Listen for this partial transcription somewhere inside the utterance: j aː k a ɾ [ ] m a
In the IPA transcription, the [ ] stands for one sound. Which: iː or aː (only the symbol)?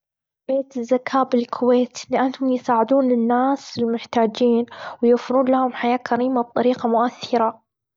iː